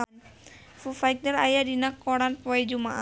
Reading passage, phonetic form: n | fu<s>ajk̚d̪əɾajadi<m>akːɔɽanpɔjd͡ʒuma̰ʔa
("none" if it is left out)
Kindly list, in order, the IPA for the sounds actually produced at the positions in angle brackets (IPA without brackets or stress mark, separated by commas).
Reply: f, n